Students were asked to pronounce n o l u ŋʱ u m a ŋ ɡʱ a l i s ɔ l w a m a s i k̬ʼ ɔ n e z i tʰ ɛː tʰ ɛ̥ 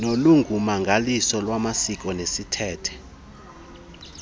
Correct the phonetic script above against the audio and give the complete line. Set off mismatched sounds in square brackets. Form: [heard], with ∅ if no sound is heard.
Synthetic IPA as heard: n o l u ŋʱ u m a ŋ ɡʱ a l i s ɔ l w a m a s i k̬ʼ ɔ n e [s] i tʰ ɛː tʰ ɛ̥